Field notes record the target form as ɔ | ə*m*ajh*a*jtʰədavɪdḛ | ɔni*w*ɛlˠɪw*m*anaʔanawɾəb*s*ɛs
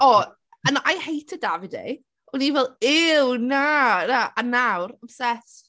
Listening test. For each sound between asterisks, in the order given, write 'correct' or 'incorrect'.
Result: incorrect: n, incorrect: e, incorrect: v, incorrect: n, correct

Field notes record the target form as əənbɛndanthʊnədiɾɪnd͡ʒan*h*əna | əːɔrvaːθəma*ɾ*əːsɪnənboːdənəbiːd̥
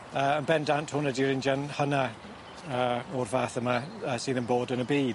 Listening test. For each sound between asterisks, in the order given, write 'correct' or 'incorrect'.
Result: correct, incorrect: none

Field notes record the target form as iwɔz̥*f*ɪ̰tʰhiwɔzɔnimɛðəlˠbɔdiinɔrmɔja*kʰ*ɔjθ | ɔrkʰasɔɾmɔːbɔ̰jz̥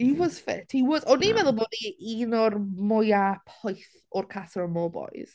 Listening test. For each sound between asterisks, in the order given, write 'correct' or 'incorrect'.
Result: correct, incorrect: pʰ

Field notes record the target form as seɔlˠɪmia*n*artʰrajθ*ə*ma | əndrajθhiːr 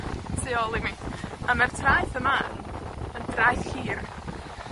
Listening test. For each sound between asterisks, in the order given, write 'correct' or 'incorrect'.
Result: incorrect: m, correct

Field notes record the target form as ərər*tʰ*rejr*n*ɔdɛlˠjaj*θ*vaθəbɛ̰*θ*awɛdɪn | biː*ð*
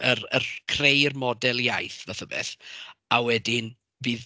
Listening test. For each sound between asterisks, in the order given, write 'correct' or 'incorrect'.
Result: incorrect: kʰ, incorrect: m, correct, correct, correct

